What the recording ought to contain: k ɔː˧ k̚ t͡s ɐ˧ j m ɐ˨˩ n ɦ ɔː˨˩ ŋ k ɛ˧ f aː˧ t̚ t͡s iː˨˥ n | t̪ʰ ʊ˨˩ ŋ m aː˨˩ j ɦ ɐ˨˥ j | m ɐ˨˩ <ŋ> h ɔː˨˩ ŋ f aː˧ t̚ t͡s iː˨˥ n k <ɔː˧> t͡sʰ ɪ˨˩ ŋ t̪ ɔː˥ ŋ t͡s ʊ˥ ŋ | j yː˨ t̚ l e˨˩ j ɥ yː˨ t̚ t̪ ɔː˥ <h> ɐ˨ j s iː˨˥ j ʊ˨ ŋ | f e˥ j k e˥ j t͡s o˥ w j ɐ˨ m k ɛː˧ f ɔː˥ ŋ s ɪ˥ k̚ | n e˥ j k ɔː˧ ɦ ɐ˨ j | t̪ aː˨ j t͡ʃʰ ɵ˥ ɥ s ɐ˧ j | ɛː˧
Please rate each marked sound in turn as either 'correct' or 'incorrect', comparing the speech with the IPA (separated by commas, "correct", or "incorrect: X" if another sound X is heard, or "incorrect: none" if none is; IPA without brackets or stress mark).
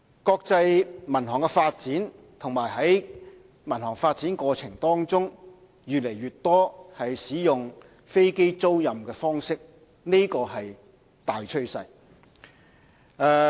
incorrect: n, correct, correct